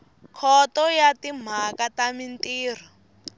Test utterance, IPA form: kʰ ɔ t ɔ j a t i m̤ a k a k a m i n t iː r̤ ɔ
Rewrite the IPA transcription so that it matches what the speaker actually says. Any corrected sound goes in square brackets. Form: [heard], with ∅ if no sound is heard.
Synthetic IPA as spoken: kʰ ɔ t ɔ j a t i m̤ a k a [t] a m i n t iː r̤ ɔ